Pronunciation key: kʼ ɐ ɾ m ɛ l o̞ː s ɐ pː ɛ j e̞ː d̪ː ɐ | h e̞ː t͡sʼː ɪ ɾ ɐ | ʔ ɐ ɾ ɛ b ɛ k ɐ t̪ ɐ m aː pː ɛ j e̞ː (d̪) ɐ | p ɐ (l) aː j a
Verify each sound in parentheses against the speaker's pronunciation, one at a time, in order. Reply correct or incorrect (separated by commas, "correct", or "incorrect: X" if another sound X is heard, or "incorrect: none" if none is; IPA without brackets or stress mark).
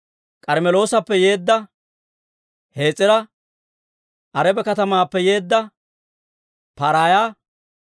incorrect: d̪ː, incorrect: ɾ